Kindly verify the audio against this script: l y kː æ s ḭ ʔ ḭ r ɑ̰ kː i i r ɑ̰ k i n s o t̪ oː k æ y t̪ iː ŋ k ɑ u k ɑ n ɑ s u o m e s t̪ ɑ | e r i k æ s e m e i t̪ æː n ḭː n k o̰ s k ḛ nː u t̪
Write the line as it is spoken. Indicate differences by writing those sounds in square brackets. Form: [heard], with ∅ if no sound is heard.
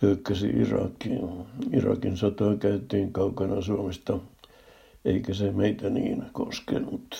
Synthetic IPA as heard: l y kː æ s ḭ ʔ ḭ r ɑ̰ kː i i r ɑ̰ k i n s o t̪ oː k æ y t̪ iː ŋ k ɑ u k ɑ n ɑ s u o m e s t̪ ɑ | e [∅] i k æ s e m e i t̪ [æ] n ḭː n k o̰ s k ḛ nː u t̪